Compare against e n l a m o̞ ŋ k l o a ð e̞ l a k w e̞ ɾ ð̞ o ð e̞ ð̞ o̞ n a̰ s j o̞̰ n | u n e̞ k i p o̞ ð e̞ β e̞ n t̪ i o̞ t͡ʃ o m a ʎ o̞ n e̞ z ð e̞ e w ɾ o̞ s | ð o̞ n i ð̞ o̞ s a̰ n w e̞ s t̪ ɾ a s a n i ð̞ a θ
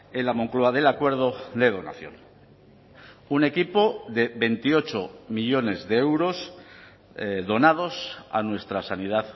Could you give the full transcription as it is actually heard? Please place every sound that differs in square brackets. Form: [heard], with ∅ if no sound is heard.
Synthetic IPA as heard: e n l a m o̞ ŋ k l o a ð e̞ l a k w e̞ ɾ ð̞ o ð e̞ ð̞ o̞ n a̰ [θ] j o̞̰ n | u n e̞ k i p o̞ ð e̞ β e̞ n t̪ i o̞ t͡ʃ o m [i] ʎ o̞ n e̞ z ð e̞ e w ɾ o̞ s | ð o̞ n [a] ð̞ o̞ s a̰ n w e̞ s t̪ ɾ a s a n i ð̞ a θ